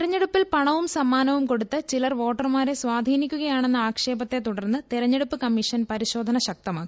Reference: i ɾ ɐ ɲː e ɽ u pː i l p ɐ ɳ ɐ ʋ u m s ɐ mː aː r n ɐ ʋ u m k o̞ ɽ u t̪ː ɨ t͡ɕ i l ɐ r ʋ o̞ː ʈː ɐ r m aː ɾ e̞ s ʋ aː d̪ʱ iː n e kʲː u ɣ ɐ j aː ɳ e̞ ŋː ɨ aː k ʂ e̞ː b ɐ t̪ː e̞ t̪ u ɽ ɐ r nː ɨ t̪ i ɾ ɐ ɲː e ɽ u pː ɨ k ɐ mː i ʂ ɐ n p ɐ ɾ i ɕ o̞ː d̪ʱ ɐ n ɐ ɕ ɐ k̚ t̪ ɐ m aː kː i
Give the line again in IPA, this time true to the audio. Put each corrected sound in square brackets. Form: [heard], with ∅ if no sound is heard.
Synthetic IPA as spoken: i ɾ ɐ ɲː e ɽ u pː i l p ɐ ɳ ɐ ʋ u m s ɐ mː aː [∅] n ɐ ʋ u m k o̞ ɽ u t̪ː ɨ t͡ɕ i l ɐ r ʋ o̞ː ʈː ɐ r m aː ɾ e̞ s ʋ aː d̪ʱ iː n [i] kʲː u ɣ ɐ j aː ɳ e̞ [nː] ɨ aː k ʂ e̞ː b ɐ t̪ː e̞ t̪ u ɽ ɐ r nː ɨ t̪ i ɾ ɐ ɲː e ɽ u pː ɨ k ɐ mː i ʂ ɐ n p ɐ ɾ i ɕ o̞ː d̪ʱ ɐ n ɐ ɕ ɐ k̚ t̪ ɐ m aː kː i